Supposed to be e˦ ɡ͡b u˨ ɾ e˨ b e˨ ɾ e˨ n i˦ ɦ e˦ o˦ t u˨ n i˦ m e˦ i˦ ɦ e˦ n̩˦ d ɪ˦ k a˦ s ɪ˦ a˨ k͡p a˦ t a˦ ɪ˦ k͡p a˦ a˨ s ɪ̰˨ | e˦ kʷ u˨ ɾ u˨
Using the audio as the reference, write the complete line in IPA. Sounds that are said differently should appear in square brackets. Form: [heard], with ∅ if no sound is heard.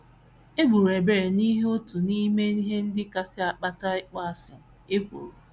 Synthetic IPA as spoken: e˦ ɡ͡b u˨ ɾ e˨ b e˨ ɾ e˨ n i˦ ɦ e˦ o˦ t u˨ n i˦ m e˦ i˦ ɦ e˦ n̩˦ d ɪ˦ k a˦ s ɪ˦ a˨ k͡p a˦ t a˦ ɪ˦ k͡p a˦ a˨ s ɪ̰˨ | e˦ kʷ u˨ ɾ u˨